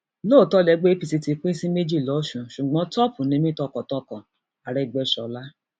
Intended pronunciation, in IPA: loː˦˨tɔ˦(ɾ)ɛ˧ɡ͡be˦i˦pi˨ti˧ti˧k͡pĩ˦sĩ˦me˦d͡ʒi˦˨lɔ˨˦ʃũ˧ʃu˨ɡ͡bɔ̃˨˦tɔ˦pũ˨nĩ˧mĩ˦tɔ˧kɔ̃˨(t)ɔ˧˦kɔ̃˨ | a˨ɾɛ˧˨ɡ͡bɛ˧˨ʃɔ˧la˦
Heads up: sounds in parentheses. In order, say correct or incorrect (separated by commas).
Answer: incorrect, correct